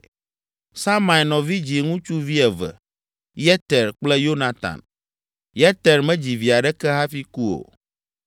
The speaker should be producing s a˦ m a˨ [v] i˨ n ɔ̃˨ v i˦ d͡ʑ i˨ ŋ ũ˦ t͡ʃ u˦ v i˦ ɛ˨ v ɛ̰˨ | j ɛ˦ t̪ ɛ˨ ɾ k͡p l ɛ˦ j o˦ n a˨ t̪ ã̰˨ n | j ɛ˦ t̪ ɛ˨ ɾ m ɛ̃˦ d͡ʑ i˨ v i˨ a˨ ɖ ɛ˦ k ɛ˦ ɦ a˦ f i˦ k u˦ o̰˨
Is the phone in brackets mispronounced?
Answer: yes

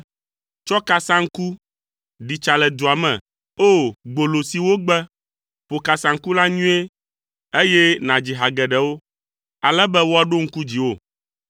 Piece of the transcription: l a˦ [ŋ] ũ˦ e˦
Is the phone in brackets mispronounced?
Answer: yes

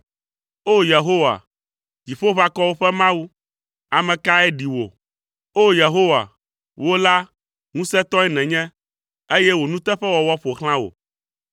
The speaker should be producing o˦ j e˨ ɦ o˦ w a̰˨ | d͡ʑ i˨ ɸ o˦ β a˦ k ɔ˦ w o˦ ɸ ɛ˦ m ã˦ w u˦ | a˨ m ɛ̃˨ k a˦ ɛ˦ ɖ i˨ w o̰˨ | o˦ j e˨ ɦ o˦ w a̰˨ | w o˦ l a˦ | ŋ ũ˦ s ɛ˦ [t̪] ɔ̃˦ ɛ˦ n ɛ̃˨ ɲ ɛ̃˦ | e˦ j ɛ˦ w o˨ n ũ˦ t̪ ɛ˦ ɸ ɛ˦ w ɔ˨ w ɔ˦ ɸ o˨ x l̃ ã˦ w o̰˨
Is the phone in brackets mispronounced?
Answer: no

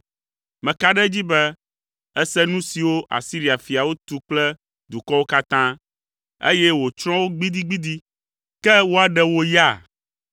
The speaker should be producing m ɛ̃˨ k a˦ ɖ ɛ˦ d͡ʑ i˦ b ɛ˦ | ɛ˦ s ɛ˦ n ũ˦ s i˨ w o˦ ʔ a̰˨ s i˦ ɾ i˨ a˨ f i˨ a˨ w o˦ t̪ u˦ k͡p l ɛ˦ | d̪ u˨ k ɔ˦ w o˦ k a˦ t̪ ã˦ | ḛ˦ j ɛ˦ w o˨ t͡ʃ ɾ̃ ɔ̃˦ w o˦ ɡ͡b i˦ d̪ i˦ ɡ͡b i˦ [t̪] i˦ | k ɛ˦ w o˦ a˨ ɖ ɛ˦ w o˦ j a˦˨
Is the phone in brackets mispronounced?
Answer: yes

